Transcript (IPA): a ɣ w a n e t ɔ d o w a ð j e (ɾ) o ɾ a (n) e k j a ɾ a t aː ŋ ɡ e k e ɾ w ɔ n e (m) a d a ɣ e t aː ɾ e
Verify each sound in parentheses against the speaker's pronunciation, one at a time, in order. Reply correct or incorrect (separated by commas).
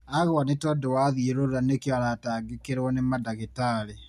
correct, correct, correct